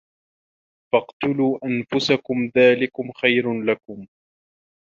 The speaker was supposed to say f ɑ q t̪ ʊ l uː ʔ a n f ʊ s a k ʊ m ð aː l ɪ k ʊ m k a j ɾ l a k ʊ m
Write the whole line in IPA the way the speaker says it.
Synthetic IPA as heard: f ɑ q t̪ ʊ l uː ʔ a n f ʊ s a k ʊ m ð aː l ɪ k ʊ m x a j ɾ l a k ʊ m